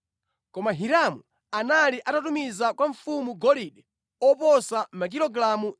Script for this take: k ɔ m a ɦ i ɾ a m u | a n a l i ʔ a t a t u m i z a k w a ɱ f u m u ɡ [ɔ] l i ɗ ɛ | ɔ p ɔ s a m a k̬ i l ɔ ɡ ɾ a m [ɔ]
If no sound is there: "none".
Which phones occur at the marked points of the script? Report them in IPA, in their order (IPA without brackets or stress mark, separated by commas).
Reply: ɔ, u